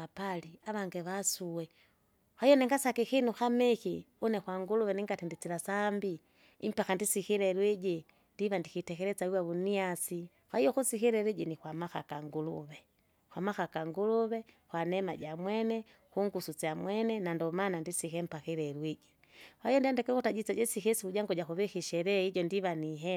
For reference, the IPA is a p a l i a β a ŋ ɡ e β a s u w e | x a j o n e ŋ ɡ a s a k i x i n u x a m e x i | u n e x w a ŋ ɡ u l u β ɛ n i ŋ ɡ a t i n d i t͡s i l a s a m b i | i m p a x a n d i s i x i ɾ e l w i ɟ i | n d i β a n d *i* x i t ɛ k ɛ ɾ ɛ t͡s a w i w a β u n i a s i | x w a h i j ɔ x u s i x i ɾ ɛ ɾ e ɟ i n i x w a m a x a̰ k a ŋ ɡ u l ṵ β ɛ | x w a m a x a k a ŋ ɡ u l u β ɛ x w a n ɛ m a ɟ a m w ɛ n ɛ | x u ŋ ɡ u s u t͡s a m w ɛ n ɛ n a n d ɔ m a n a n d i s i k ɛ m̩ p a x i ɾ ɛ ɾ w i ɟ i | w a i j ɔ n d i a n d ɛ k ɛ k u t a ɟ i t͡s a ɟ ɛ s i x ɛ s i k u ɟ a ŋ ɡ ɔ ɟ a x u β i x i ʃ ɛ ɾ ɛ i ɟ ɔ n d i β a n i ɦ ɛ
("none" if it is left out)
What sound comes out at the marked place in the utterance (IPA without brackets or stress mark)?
i